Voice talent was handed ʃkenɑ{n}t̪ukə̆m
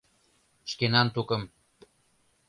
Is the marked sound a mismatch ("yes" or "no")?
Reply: no